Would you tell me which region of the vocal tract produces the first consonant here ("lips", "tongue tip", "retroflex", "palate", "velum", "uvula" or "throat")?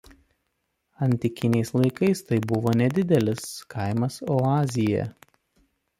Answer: tongue tip